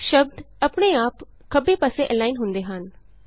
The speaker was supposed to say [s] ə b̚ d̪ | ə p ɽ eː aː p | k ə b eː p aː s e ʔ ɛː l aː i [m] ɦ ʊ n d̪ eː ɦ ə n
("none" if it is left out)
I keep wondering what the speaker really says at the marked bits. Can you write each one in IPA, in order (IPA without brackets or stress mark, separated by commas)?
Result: ʃ, n